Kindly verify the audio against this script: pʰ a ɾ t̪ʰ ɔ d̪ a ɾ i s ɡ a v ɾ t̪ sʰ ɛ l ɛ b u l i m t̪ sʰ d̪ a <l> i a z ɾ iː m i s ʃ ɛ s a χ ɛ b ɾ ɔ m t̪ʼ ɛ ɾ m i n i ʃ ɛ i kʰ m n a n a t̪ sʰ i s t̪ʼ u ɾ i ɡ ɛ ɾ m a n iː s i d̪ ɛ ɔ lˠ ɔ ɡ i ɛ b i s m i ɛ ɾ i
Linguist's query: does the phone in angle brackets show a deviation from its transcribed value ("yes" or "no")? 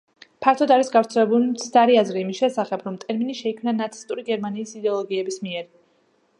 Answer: yes